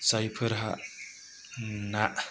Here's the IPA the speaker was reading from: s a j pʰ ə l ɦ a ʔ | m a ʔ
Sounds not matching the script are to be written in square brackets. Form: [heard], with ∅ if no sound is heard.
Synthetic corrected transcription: s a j pʰ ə [ɾ] ɦ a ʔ | [n] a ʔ

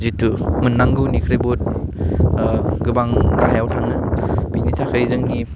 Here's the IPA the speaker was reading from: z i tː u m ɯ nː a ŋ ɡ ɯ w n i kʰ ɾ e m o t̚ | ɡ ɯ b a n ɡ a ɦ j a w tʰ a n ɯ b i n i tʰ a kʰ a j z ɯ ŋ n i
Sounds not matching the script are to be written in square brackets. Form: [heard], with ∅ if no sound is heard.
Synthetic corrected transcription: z i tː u m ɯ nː a ŋ ɡ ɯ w n i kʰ ɾ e [b] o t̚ | ɡ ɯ b a [ŋ] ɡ a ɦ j a w tʰ a [ŋ] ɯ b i n i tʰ a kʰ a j z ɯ ŋ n i

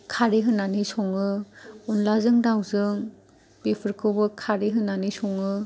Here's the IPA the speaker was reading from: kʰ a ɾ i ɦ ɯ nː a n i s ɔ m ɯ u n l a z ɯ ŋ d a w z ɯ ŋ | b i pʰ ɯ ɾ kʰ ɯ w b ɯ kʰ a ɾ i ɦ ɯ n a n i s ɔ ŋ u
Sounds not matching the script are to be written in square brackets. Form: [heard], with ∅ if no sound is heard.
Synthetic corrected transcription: kʰ a ɾ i ɦ ɯ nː a n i s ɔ [ŋ] ɯ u n l a z ɯ ŋ d a w z ɯ ŋ | b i pʰ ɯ ɾ kʰ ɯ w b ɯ kʰ a ɾ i ɦ ɯ n a n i s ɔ ŋ [ɯ]

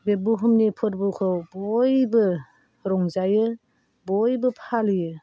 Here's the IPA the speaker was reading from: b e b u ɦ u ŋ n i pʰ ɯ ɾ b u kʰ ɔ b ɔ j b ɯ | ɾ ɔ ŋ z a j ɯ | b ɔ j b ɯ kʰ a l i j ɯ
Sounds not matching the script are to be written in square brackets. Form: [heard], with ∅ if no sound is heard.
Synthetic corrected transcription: b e b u ɦ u [m] n i pʰ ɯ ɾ b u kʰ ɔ b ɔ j b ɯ | ɾ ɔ ŋ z a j ɯ | b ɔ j b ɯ [pʰ] a l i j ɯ

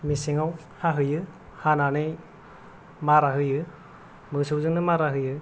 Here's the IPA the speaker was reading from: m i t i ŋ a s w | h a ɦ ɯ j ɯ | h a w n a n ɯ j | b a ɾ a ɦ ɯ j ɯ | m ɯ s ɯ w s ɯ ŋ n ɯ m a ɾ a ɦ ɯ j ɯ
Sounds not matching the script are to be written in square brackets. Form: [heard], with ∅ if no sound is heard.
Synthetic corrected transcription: m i [s] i ŋ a [∅] w | h a ɦ ɯ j ɯ | h a [∅] n a n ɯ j | [m] a ɾ a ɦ ɯ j ɯ | m ɯ s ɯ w [z] ɯ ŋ n ɯ m a ɾ a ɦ ɯ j ɯ

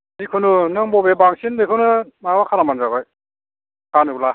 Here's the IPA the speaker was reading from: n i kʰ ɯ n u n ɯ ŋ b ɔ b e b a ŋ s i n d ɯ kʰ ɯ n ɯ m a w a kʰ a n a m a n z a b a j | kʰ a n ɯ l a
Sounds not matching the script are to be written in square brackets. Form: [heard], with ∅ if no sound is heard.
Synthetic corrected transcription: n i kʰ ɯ n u n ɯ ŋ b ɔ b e b a ŋ s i n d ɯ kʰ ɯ n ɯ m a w a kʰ a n a m a n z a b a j | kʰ a n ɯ l a

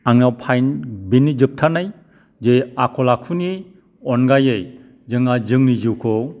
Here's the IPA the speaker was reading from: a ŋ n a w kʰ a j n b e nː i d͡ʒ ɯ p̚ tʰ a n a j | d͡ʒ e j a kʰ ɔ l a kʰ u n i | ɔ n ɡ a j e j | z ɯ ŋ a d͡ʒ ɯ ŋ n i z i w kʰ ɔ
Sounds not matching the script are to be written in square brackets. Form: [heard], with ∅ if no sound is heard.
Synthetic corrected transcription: a ŋ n a w [pʰ] a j n b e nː i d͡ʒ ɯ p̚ tʰ a n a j | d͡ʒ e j a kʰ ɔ l a kʰ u n i | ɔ n ɡ a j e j | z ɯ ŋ a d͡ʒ ɯ ŋ n i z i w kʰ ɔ

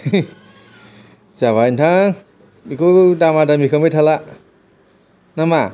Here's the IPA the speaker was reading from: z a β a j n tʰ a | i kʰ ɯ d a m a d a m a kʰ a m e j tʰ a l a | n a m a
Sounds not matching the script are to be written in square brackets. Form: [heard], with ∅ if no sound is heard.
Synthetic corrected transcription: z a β a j n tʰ a | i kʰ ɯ d a m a d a m [i] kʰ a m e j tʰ a l a | n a m a

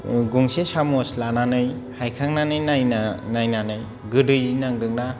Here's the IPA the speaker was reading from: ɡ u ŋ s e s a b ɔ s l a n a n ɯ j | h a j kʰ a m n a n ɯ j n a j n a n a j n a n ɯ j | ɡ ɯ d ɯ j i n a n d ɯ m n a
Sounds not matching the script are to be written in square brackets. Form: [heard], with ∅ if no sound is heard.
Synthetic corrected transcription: ɡ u ŋ s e s a [m] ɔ s l a n a n ɯ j | h a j kʰ a [ŋ] n a n ɯ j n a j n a n a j n a n ɯ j | ɡ ɯ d ɯ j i n a [ŋ] d ɯ [ŋ] n a

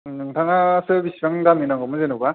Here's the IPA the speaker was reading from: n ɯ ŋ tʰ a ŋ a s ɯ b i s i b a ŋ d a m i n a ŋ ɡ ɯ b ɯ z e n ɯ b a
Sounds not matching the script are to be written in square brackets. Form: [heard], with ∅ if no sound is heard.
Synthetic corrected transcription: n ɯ ŋ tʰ a ŋ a s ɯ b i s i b a ŋ d a m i n a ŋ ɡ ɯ [m] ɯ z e n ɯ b a

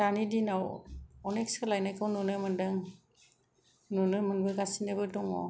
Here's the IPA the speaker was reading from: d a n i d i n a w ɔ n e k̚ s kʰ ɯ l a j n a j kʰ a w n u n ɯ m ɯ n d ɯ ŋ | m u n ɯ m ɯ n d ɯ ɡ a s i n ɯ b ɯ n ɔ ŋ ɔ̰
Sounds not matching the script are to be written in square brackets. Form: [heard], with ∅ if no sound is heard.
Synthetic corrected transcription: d a n i d i n a w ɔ n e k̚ s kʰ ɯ l a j n a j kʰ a w n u n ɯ m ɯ n d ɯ ŋ | [n] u n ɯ m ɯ n [b] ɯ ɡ a s i n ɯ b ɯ [d] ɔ ŋ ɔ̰

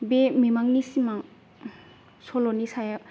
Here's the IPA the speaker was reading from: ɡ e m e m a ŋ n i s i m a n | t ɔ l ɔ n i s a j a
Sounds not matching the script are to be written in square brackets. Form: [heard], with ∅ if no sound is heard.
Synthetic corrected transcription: [b] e m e m a ŋ n i s i m a [ŋ] | [s] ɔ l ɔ n i s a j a

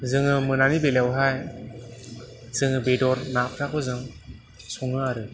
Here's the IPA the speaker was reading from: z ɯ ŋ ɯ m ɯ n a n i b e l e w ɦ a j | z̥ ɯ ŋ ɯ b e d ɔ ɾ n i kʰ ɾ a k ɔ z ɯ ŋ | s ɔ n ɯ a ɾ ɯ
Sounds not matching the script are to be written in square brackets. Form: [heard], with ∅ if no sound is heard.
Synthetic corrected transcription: z ɯ ŋ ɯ m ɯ n a n i b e l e w ɦ a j | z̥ ɯ ŋ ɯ b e d ɔ ɾ n [a] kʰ ɾ a k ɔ z ɯ ŋ | s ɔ [ŋ] ɯ a ɾ ɯ

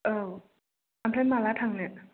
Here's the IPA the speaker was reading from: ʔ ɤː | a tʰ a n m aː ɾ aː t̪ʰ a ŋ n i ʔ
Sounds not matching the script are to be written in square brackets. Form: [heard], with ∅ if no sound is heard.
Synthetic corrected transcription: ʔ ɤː | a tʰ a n m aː [l] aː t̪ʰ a ŋ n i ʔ

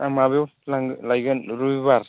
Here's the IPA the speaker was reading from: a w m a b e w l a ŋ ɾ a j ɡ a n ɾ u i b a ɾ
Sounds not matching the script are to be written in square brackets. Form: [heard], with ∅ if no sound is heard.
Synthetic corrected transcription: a [∅] m a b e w l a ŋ [l] a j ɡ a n ɾ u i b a ɾ

